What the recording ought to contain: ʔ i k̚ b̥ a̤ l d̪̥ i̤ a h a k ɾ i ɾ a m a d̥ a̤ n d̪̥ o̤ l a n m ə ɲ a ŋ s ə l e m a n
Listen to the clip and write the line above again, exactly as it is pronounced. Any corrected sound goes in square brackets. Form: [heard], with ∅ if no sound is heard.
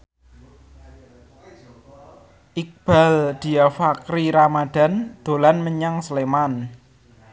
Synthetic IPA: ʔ i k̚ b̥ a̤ l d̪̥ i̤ a [f] a k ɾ i ɾ a m a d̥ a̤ n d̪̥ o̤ l a n m ə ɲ a ŋ s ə l e m a n